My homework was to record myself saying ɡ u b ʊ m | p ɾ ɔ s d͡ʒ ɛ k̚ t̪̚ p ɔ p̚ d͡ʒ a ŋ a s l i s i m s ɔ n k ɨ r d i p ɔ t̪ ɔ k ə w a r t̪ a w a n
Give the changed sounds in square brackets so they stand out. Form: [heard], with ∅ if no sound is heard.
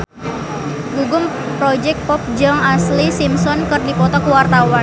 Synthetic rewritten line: ɡ u [ɡ] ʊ m | p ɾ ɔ [∅] d͡ʒ ɛ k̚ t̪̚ p ɔ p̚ d͡ʒ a ŋ a s l i s i m s ɔ n k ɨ r d i p ɔ t̪ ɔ k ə w a r t̪ a w a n